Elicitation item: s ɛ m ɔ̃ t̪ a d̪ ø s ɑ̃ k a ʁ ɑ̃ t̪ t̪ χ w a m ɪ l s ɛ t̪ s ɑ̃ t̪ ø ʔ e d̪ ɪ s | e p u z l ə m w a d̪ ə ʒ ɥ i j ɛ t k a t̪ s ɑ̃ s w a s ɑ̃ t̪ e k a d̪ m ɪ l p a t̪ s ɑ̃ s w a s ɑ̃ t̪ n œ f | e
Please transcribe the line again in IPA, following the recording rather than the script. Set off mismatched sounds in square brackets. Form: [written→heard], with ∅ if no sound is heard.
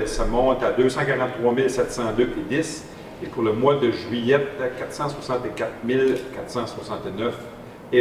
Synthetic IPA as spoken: s [ɛ→a] m ɔ̃ t̪ a d̪ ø s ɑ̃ k a ʁ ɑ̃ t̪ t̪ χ w a m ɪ l s ɛ t̪ s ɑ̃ [t̪→d̪] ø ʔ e d̪ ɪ s | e p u [z→ʁ] l ə m w a d̪ ə ʒ ɥ i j ɛ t k a t̪ s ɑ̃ s w a s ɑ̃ t̪ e k a [d̪→t̪] m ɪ l [p→k] a t̪ s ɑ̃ s w a s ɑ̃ t̪ n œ f | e